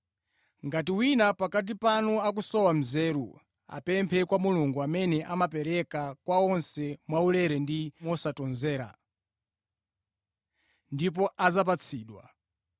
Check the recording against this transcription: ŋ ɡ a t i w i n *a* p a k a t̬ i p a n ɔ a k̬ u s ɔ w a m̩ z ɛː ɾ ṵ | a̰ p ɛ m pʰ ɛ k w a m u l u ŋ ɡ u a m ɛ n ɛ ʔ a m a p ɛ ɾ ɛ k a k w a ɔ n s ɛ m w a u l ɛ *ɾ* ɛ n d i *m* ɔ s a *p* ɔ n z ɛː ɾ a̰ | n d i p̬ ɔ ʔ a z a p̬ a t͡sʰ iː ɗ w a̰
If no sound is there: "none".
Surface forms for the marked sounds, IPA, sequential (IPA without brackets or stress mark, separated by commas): a, ɾ, m, t